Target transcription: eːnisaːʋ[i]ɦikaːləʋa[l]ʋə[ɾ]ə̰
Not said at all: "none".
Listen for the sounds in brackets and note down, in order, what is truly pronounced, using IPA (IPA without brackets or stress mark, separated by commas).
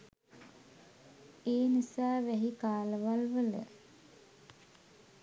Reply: æ, l, l